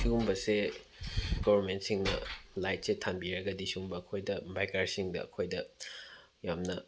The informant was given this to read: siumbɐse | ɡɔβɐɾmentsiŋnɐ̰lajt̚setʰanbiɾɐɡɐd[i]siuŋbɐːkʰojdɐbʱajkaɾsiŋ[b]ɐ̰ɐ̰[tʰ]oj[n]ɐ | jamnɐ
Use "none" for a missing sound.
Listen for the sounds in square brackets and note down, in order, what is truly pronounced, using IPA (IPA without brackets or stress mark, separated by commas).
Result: i, d, kʰ, d